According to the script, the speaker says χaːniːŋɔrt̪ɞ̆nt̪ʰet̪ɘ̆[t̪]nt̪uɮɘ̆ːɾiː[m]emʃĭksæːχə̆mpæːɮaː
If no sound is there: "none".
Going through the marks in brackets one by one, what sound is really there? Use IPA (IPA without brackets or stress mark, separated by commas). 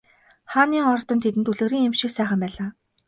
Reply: none, ŋ